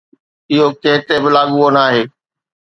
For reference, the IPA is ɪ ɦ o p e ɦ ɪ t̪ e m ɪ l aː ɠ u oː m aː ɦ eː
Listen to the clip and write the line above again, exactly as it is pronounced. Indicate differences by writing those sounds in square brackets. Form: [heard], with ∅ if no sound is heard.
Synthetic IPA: ɪ ɦ o [k] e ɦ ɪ t̪ e [b] ɪ l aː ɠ u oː [n] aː ɦ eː